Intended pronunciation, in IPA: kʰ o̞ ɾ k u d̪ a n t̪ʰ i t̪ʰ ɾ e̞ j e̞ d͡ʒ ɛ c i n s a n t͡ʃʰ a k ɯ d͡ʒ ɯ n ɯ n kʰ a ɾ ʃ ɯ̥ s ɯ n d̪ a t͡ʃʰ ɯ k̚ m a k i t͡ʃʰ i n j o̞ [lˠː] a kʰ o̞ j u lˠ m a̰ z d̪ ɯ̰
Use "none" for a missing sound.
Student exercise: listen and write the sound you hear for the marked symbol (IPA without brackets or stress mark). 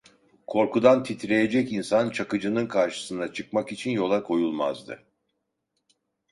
lˠ